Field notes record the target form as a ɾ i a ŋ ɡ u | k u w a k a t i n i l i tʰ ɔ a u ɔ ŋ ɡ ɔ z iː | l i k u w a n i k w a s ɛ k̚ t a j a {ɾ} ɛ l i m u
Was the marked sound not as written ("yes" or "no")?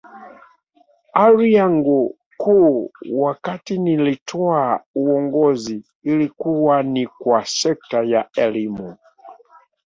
yes